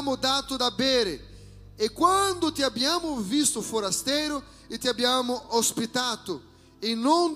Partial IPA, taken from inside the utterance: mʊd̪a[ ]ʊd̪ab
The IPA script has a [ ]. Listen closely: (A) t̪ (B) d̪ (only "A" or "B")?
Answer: A